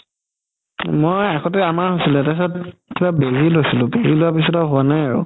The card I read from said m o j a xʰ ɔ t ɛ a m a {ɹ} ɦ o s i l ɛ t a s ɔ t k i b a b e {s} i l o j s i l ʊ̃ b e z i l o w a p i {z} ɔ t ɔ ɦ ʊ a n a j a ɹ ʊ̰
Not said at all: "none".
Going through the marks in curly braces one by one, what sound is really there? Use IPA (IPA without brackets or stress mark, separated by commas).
ɹ, z, s